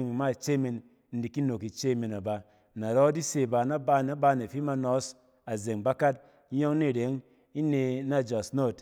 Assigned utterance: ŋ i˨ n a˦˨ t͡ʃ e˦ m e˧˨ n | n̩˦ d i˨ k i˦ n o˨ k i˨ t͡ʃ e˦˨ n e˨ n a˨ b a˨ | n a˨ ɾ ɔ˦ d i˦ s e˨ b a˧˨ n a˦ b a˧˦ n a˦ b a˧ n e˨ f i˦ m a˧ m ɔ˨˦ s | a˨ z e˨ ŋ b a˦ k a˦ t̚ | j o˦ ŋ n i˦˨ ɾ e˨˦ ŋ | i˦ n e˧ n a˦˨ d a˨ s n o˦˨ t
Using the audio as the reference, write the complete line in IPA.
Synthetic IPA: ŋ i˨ m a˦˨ t͡ʃ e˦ m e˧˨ n | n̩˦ d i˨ k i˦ n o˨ k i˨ t͡ʃ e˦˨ m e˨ n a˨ b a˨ | n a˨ ɾ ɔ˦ d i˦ s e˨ b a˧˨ n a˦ b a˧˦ n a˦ b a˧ n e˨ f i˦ m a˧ n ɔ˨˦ s | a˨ z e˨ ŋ b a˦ k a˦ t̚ | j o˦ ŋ n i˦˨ ɾ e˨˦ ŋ | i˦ n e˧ n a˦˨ d͡ʒ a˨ s n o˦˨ t